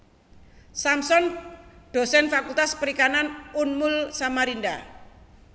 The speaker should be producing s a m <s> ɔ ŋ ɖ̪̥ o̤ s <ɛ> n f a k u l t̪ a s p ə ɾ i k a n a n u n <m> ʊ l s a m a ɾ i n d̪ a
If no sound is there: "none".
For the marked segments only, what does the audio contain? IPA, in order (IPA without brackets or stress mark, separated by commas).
s, ɛ, m